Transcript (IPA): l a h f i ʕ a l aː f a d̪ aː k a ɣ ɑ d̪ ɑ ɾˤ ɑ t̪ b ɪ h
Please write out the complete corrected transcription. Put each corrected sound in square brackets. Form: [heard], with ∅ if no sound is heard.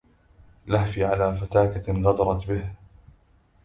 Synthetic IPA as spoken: l a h f i ʕ a l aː f a [t̪] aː k a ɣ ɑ d̪ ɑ ɾˤ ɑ t̪ b ɪ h